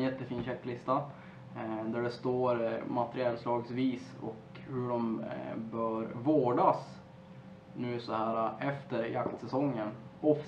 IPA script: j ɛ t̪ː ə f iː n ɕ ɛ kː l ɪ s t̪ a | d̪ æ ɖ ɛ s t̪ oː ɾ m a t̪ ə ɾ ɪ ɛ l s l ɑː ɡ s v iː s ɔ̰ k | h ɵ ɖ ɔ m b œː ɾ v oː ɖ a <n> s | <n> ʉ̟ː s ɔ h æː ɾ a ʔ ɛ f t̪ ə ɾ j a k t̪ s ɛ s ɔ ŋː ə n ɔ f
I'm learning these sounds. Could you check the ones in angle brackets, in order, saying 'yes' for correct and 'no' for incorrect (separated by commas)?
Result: no, yes